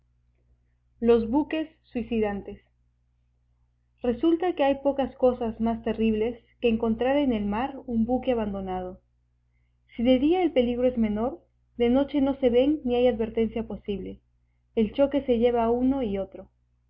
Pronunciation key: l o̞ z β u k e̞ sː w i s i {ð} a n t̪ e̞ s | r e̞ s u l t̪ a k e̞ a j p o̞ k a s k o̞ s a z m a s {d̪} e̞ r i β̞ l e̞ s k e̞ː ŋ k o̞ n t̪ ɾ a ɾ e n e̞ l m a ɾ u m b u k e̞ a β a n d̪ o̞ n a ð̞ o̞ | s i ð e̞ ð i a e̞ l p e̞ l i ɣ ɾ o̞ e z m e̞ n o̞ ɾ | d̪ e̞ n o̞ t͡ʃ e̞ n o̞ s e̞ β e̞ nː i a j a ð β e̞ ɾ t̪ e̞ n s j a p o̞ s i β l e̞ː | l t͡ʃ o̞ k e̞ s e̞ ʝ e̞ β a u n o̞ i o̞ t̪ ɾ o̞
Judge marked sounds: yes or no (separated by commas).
yes, no